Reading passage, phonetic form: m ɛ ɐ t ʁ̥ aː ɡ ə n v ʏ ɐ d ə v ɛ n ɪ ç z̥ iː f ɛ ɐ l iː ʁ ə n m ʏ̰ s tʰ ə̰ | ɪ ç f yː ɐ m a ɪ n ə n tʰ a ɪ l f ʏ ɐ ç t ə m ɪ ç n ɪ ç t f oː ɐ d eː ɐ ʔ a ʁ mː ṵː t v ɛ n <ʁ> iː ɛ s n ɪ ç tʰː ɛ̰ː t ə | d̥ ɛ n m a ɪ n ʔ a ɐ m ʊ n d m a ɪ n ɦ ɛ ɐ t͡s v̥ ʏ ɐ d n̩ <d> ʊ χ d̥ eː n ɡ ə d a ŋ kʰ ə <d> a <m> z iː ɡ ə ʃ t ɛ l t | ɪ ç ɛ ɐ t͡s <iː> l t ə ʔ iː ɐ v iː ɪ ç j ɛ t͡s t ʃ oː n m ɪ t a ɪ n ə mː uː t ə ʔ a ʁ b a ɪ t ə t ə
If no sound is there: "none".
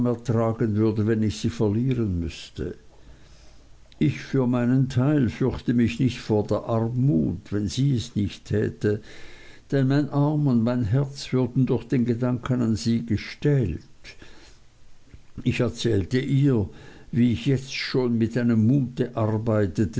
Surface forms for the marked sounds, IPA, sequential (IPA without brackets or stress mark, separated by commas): z, d, n, n, ɛː